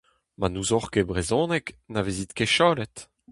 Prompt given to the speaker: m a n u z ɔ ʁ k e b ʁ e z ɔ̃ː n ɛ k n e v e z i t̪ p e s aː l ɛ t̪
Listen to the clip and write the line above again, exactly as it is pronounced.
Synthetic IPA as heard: m a n u z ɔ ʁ k e b ʁ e z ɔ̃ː n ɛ k n a v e z i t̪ k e ʃ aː l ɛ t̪